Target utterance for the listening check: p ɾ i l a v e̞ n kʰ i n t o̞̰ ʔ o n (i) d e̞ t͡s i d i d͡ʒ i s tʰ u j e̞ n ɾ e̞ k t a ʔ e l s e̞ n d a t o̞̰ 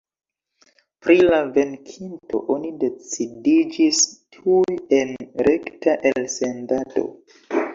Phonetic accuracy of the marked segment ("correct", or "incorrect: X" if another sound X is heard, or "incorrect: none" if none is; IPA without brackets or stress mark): correct